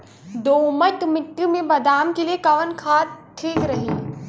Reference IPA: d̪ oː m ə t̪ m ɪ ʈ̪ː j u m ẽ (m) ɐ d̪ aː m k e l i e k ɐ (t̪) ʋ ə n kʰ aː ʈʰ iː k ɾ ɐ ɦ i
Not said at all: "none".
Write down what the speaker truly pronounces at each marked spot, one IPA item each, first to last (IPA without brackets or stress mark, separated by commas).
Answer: b, none